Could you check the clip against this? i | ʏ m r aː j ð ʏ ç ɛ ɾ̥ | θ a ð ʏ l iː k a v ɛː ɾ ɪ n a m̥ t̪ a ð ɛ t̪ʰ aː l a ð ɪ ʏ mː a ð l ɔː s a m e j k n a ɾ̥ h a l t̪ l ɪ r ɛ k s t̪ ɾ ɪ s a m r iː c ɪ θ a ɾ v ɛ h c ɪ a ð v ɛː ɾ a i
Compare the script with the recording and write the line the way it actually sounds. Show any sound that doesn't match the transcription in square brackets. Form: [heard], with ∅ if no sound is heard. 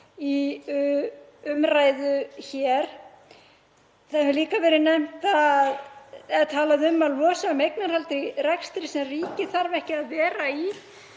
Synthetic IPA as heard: i | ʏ m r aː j ð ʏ ç ɛ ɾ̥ | θ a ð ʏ l iː k a v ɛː ɾ ɪ n [ɛ] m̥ t̪ a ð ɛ t̪ʰ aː l a ð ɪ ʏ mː a ð l ɔː s a m e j k n a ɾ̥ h a l t̪ [ɾ] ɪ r ɛ k s t̪ ɾ ɪ s [ɛ] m r iː c ɪ θ a ɾ v ɛ h c ɪ a ð v ɛː ɾ a i

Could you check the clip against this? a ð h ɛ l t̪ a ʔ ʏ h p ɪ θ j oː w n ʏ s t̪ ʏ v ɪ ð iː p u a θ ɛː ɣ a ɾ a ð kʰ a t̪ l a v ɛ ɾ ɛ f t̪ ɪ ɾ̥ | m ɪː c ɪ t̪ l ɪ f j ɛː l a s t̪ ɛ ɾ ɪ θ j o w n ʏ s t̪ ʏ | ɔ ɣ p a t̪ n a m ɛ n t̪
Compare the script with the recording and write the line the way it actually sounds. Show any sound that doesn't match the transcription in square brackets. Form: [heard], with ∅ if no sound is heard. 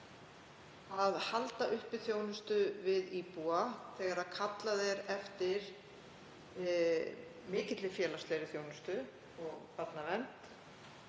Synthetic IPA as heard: a ð h [a] l t̪ a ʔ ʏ h p ɪ θ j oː w n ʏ s t̪ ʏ v ɪ ð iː p u a θ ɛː ɣ a ɾ a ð kʰ a t̪ l a [ð] ɛ ɾ ɛ f t̪ ɪ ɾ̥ | m ɪː c ɪ t̪ l ɪ f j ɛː l a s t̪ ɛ ɾ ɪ θ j o w n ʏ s t̪ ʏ | ɔ ɣ p a t̪ n a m ɛ n t̪

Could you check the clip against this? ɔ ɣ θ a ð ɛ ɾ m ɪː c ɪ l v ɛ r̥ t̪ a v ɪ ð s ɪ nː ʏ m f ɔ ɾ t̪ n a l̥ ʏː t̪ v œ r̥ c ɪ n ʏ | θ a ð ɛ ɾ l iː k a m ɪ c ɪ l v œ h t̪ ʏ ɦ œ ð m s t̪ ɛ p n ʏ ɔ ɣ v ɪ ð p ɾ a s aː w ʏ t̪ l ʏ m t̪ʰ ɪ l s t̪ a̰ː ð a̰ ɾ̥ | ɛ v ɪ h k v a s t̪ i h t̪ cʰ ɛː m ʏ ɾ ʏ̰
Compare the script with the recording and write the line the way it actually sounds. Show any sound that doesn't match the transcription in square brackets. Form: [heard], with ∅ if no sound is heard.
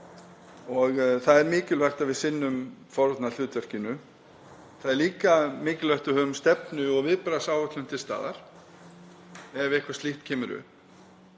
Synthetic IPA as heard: ɔ ɣ θ a ð ɛ ɾ m ɪː c ɪ l v ɛ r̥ t̪ a v ɪ ð s ɪ nː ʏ m f ɔ ɾ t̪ n a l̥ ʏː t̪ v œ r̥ c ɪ n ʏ | θ a ð ɛ ɾ l iː k a m [ɪː] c ɪ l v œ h t̪ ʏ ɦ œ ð m s t̪ ɛ p n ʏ ɔ ɣ v ɪ ð p ɾ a s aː w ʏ t̪ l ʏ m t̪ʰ ɪ l s t̪ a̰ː ð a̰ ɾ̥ | ɛ v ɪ h k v a s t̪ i h t̪ cʰ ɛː m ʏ ɾ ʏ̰

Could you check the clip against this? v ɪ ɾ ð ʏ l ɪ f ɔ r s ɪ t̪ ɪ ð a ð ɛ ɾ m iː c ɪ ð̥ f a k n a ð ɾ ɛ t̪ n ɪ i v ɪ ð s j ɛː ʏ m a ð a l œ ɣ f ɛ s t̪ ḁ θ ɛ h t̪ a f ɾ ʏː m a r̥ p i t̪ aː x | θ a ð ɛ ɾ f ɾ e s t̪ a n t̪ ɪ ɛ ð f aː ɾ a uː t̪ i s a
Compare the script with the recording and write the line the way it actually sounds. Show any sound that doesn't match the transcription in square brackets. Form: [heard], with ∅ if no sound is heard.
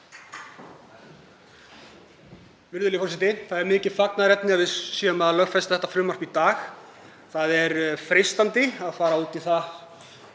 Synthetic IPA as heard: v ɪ ɾ ð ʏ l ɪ f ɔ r s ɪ t̪ ɪ [θ] a ð ɛ ɾ m [ɪː] c ɪ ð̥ f a k n a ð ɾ ɛ t̪ n ɪ [a] v ɪ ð s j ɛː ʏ m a ð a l œ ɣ f ɛ s t̪ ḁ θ ɛ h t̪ a f ɾ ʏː m a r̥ p i t̪ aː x | θ a ð ɛ ɾ f ɾ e s t̪ a n t̪ ɪ [a] ð f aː ɾ a uː t̪ i [θ] a

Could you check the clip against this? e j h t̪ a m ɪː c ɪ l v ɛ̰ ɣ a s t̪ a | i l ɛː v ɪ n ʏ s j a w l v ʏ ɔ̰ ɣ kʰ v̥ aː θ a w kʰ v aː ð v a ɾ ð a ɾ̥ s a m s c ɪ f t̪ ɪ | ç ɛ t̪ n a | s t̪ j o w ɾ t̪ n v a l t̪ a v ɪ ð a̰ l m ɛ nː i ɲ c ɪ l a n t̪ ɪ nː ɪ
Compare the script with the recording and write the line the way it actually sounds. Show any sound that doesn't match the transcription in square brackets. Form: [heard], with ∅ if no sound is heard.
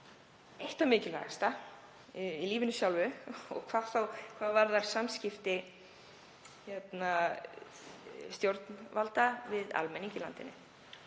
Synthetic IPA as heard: e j h t̪ a m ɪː c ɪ l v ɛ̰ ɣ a s t̪ a | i l [iː] v ɪ n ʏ s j a w l v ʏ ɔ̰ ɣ kʰ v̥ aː θ a w kʰ v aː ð v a ɾ ð a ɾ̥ s a m s c ɪ f t̪ ɪ | ç ɛ t̪ n a | s t̪ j o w ɾ t̪ n v a l t̪ a v ɪ ð a̰ l m ɛ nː i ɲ c ɪ l a n t̪ ɪ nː ɪ

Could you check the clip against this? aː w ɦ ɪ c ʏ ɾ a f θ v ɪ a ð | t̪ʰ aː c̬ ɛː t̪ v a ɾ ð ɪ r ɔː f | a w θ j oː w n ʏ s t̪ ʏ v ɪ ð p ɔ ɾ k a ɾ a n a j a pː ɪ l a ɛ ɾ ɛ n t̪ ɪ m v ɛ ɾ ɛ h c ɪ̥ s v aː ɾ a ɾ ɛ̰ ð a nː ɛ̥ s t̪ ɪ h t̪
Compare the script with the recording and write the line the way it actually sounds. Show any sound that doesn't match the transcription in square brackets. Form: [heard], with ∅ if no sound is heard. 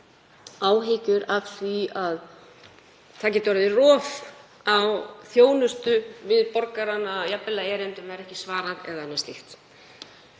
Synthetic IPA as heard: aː w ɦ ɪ c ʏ ɾ a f θ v [i] a ð | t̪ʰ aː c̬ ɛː t̪ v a ɾ ð ɪ r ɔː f | a w θ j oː w n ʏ s t̪ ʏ v ɪ ð p ɔ ɾ k a ɾ a n a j a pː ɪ l a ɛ ɾ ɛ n t̪ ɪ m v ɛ ɾ ɛ h c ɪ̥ s v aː ɾ a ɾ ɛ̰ ð a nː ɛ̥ s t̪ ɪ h t̪

